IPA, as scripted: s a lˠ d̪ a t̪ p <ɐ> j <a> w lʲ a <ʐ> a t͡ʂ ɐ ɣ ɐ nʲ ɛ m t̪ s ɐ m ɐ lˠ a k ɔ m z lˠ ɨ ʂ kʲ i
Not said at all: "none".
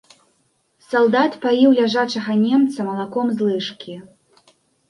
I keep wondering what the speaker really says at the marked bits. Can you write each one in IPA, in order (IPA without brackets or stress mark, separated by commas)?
a, i, ʐ